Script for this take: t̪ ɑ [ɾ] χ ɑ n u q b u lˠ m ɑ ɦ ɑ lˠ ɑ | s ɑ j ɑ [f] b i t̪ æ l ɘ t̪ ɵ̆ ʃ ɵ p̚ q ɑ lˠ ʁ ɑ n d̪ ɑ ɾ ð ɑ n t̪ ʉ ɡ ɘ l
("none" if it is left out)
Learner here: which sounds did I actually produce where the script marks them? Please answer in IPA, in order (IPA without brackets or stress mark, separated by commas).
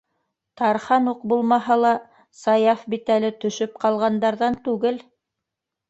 ɾ, f